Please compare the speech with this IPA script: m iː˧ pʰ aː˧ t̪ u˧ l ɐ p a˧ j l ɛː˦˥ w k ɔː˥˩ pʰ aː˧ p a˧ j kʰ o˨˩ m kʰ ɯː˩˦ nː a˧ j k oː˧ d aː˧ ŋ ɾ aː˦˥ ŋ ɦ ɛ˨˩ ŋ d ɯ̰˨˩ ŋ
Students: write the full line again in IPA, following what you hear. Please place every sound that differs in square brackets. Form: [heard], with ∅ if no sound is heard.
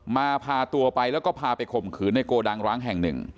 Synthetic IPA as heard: m [aː˧] pʰ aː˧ t̪ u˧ [∅] ɐ p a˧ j l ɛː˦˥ w k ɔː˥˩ pʰ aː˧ p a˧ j kʰ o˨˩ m kʰ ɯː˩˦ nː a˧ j k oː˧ d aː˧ ŋ ɾ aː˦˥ ŋ ɦ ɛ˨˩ ŋ [n] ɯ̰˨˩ ŋ